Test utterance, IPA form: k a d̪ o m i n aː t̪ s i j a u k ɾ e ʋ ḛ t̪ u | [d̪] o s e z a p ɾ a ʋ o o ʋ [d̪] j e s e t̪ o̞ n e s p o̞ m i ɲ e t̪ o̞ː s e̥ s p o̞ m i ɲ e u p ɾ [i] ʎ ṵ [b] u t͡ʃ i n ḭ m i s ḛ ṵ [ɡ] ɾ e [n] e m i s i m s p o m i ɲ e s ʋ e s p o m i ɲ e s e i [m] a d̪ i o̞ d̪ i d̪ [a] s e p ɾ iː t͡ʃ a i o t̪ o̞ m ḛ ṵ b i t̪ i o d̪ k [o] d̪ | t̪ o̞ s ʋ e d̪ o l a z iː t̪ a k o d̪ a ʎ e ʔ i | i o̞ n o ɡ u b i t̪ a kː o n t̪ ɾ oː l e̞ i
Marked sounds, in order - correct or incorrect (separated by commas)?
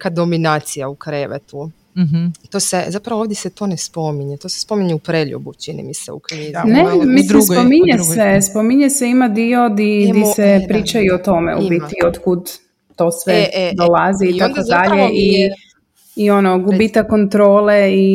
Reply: incorrect, correct, incorrect, correct, incorrect, correct, correct, incorrect, incorrect